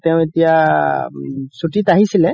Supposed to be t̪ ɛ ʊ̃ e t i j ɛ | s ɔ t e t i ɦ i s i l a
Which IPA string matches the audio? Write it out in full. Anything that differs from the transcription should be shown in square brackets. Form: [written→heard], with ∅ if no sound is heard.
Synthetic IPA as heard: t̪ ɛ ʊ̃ e t i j [ɛ→a] | s [ɔ→u] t [e→i] t [i→a] ɦ i s i l [a→ɛ]